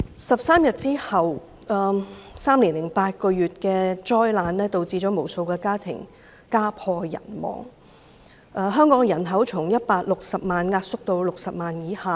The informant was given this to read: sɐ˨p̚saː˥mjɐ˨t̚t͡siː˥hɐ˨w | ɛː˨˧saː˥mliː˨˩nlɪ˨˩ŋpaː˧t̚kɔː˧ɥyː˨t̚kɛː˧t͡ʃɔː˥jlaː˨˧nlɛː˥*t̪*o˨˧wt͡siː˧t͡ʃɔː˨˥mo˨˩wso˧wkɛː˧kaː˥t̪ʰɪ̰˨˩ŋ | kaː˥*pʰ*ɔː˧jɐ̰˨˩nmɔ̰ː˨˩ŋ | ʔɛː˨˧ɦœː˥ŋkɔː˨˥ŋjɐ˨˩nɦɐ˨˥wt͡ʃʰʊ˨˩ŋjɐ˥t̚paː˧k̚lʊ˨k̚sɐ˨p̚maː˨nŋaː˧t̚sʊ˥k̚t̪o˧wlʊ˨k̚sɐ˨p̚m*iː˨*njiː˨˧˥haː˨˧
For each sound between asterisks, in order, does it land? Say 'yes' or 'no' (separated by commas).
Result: yes, yes, no